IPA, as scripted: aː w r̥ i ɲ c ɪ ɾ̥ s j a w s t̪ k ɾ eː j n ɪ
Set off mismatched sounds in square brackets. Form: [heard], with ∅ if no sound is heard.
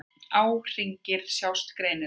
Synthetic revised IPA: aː w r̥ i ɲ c ɪ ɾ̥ s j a w s t̪ k ɾ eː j n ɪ